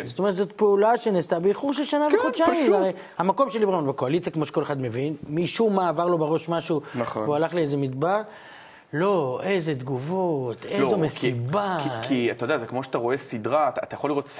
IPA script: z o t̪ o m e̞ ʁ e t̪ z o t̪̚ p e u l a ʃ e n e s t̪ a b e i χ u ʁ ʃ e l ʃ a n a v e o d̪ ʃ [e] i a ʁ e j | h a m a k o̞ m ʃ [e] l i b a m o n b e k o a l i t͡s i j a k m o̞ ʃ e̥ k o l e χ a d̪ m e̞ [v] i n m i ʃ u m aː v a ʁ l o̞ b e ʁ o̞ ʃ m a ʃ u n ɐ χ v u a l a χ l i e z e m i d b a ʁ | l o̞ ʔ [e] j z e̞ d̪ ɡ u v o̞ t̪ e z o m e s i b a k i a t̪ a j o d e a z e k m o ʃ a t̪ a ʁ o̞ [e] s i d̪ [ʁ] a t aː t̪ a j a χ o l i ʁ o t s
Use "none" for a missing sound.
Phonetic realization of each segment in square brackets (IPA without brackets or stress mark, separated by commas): a, e, v, e, e, ʁ